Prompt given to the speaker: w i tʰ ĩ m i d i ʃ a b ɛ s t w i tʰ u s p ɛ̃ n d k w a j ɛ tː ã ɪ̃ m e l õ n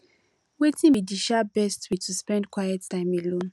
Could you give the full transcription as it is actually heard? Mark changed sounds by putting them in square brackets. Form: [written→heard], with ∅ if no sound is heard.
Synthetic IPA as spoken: w [i→e] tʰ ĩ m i d i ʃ a b ɛ s t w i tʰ u s p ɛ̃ n d k w a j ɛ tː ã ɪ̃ m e l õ n